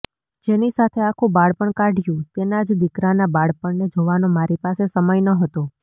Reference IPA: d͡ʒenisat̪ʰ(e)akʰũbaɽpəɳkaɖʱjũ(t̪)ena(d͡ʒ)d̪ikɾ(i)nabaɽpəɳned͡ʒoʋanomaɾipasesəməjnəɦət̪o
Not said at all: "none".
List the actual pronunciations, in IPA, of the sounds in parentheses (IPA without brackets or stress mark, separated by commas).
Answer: e, t̪, d͡ʒ, a